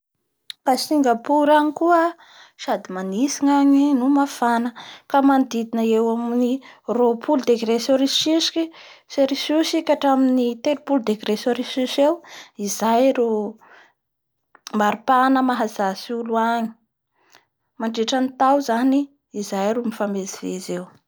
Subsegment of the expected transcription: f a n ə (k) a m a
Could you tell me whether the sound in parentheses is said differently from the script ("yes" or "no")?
no